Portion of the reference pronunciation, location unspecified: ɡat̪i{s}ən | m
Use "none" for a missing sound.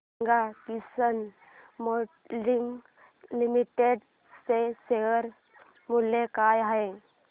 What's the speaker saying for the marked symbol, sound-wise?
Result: s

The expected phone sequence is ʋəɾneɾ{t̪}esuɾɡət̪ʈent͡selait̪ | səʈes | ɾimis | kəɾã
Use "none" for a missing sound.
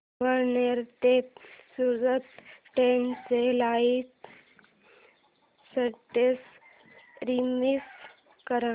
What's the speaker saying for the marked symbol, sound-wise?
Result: t̪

